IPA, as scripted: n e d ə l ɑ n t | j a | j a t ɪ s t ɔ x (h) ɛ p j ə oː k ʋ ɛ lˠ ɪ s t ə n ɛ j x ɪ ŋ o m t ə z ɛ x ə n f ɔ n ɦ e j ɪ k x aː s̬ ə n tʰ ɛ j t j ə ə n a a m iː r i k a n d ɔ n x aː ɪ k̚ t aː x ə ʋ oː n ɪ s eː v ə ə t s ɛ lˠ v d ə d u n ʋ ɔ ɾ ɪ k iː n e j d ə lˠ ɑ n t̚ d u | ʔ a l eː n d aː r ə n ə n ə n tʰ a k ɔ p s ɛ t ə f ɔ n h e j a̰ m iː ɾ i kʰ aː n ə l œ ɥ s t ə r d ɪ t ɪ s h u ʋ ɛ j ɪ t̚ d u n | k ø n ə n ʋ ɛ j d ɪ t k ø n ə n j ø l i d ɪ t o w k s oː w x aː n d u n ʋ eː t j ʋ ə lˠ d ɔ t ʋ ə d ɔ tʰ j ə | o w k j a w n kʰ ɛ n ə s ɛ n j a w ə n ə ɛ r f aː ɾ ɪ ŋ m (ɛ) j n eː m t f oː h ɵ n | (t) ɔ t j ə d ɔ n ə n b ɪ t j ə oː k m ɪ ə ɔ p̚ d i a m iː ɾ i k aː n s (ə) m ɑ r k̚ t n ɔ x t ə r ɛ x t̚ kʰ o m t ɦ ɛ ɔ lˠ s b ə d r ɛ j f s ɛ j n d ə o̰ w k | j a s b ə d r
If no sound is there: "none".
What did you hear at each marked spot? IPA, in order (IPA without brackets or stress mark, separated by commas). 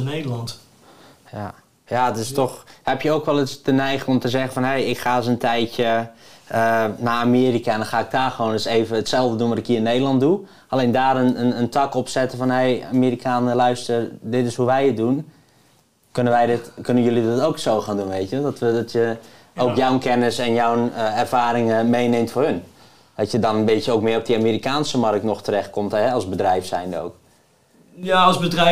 h, e, d, ə